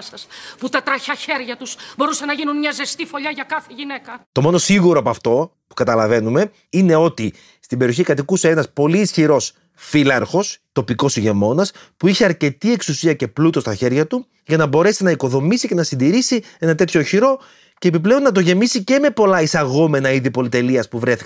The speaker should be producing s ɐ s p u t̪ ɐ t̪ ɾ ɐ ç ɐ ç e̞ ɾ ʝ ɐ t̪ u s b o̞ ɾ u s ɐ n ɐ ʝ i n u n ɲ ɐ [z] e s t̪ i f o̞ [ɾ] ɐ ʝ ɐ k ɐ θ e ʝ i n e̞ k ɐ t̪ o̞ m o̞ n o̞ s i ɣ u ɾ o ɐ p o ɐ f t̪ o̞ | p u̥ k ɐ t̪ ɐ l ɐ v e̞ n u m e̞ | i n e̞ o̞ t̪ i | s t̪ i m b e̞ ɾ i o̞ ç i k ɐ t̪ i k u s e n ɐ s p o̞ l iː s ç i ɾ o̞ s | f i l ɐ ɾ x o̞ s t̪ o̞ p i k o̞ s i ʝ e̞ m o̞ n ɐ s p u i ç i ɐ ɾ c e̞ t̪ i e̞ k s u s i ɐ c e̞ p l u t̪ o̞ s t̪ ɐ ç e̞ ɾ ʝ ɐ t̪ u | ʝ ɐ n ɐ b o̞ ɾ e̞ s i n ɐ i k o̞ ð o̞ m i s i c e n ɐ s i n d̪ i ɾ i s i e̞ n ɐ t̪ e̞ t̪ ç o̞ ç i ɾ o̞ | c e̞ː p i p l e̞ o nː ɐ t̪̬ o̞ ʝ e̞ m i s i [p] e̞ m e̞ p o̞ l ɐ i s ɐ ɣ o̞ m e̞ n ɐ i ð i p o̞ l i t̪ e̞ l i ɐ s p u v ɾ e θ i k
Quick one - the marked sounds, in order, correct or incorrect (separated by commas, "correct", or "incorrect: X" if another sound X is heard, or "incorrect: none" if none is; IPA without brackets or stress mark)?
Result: correct, incorrect: ʎ, incorrect: c